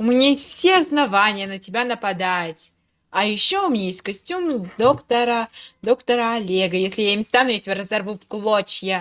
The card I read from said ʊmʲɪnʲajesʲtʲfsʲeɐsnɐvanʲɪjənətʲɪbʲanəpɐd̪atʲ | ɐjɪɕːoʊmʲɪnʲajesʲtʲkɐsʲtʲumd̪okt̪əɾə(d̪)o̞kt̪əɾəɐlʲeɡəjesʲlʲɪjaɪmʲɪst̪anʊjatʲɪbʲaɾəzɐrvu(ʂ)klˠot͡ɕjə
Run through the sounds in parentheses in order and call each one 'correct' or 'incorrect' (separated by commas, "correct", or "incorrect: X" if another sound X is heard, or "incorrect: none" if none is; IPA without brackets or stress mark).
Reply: correct, incorrect: f